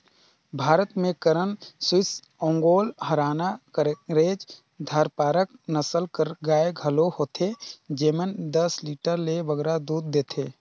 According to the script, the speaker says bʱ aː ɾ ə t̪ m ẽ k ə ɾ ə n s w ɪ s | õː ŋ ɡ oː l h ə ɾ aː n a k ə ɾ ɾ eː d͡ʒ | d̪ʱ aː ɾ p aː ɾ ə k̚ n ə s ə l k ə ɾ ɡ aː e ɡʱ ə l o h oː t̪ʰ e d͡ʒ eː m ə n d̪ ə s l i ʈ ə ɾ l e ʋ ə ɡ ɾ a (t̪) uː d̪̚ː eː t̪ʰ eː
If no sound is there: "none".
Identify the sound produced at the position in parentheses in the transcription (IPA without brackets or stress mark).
d̪